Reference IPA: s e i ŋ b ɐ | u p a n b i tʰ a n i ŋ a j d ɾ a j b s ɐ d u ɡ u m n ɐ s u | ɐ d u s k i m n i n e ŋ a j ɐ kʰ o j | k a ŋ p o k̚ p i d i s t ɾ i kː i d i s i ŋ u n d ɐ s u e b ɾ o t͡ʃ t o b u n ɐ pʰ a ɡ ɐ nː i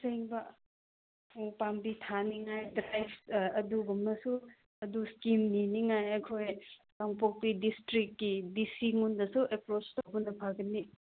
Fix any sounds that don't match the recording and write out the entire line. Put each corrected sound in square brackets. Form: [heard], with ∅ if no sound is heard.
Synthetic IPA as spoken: s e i ŋ b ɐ | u p a [m] b i tʰ a n i ŋ a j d ɾ a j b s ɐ d u ɡ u m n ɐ s u | ɐ d u s k i m n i n [i] ŋ a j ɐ kʰ o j | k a ŋ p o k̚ p i d i s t ɾ i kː i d i s i ŋ u n d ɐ s u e [p] ɾ o t͡ʃ t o b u n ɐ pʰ a ɡ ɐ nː i